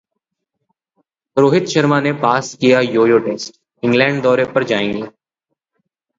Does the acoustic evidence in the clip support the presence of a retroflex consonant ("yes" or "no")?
yes